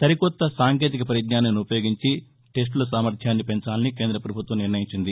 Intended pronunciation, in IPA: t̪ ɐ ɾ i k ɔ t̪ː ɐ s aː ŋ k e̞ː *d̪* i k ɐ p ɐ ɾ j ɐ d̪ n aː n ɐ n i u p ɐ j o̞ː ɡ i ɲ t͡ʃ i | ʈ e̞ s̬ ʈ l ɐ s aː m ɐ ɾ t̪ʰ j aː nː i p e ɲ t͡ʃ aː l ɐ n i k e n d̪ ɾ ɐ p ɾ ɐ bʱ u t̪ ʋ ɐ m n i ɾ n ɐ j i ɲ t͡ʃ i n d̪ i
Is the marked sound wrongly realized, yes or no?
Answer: yes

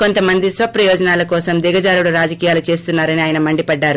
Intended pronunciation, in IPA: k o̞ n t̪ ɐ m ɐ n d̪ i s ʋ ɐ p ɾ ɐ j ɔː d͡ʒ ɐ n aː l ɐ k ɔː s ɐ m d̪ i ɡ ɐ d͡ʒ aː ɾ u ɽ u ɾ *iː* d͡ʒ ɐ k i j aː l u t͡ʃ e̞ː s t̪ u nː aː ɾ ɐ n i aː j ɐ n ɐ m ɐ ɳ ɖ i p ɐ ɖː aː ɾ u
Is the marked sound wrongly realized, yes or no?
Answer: yes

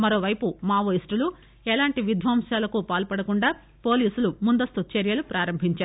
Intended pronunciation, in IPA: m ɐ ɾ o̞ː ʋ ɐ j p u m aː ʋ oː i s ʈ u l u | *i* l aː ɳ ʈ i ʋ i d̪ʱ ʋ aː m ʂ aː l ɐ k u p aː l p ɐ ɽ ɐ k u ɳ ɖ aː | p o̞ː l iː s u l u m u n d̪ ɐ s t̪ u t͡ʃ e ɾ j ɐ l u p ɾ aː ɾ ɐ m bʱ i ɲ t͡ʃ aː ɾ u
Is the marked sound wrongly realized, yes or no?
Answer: yes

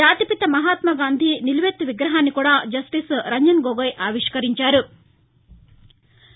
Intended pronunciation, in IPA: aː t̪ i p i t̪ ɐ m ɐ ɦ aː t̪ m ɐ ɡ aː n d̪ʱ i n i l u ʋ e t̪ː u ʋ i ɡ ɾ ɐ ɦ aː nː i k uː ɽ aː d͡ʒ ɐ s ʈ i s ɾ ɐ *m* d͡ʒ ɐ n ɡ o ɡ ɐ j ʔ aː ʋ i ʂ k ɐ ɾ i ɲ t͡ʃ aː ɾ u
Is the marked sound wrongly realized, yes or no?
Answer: yes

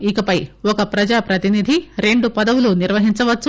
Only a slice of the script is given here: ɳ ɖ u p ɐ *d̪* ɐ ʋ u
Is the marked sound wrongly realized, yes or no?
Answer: no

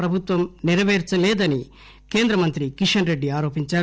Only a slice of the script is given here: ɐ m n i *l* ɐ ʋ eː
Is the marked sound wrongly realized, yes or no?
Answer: yes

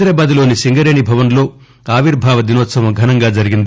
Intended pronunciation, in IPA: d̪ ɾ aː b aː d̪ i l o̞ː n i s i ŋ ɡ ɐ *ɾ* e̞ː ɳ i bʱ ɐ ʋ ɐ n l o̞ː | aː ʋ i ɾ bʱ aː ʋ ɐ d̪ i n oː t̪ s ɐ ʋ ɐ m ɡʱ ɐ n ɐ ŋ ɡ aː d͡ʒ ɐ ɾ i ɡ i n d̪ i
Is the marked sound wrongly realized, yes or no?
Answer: no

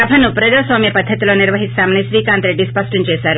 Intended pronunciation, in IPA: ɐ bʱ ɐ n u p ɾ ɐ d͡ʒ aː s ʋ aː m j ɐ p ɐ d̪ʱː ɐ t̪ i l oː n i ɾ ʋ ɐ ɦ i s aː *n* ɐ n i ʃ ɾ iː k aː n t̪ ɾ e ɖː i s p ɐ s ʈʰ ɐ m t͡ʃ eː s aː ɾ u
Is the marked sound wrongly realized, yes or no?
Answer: yes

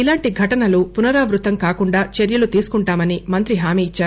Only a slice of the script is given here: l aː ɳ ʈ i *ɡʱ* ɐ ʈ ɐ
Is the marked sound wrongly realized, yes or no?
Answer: no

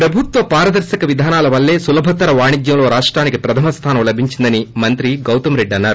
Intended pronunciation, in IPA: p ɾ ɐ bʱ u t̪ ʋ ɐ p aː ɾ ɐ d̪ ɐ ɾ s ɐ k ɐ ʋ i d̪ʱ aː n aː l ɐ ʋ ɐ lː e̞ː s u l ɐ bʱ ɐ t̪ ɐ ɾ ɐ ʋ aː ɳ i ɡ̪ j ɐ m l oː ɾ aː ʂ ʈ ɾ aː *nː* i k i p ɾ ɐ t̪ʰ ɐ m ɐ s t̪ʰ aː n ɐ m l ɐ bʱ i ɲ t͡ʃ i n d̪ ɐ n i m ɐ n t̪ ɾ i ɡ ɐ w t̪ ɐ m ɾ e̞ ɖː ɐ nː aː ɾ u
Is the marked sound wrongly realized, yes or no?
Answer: yes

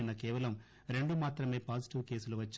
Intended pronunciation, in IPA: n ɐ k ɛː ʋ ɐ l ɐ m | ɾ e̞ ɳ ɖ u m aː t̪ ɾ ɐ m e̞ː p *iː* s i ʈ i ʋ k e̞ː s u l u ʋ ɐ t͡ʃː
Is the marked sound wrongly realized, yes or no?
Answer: yes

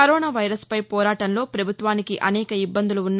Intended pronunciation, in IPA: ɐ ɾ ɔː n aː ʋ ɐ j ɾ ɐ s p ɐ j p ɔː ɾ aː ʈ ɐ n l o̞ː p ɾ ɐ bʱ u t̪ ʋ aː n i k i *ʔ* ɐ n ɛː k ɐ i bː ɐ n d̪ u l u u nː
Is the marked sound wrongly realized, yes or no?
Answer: no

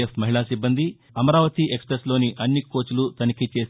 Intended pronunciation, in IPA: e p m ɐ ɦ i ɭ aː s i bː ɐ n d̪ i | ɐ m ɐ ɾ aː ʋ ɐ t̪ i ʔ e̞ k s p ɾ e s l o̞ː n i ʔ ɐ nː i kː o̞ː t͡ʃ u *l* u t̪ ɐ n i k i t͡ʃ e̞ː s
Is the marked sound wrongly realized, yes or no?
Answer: no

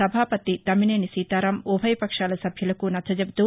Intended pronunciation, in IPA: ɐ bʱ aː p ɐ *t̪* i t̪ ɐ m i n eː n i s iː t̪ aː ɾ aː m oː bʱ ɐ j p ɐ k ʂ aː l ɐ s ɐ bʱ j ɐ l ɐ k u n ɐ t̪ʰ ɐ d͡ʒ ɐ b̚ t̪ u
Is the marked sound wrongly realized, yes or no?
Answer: no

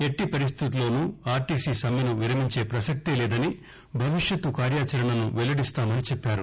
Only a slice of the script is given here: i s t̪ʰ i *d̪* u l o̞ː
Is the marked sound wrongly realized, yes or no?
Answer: yes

